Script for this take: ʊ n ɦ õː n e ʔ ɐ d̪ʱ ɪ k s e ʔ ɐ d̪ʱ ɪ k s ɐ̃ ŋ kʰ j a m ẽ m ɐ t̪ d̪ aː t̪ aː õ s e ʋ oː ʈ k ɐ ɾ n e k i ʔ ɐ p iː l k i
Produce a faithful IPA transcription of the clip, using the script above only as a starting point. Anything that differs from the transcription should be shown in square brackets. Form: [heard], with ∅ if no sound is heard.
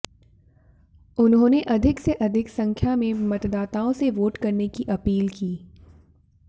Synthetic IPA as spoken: ʊ n ɦ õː n e ʔ ɐ d̪ʱ ɪ k s e ʔ ɐ d̪ʱ ɪ k s ɐ̃ ŋ kʰ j a m ẽ m ɐ t̪ d̪ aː t̪ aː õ s e ʋ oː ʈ k ɐ ɾ n e k i ʔ ɐ p iː l k [iː]